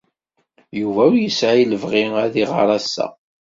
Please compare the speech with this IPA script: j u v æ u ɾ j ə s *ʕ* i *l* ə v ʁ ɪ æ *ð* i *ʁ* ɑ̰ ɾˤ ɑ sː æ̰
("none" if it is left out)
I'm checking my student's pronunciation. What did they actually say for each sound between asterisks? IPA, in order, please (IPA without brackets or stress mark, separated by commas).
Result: ʕ, l, ð, ʁ